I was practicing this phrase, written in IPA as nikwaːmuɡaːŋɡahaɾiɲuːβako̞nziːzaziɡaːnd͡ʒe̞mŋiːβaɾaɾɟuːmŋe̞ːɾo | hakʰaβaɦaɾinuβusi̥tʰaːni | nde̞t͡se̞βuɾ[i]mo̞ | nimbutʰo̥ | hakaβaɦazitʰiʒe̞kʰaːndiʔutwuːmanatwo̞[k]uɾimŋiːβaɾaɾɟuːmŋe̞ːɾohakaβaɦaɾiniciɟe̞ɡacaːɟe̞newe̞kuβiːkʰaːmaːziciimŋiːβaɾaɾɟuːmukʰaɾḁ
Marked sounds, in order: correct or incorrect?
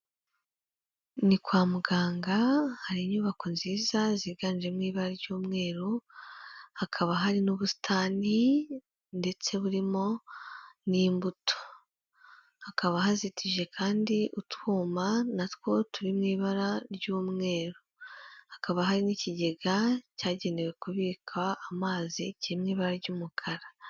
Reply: correct, incorrect: t

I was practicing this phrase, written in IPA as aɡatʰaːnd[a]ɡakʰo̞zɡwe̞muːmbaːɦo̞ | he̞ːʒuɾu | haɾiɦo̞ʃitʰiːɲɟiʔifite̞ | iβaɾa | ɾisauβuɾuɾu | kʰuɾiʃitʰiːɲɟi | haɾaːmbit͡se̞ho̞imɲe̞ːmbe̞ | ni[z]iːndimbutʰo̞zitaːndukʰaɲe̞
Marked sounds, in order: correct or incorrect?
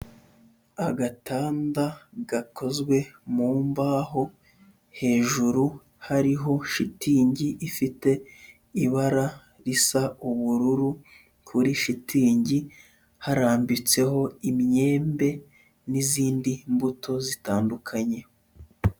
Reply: correct, correct

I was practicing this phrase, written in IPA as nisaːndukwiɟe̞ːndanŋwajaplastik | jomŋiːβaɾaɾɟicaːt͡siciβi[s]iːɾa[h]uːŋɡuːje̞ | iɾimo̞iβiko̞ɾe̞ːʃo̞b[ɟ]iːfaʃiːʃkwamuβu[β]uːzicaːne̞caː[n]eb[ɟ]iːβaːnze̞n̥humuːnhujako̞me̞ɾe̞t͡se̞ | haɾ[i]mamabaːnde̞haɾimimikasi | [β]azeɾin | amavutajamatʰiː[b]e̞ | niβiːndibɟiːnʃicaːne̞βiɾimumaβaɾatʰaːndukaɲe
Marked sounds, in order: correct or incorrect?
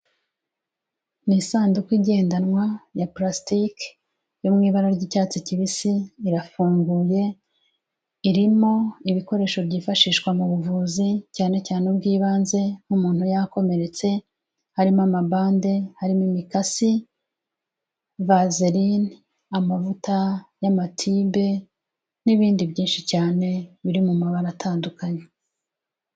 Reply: correct, incorrect: f, correct, incorrect: v, correct, incorrect: ɡ, correct, incorrect: v, correct

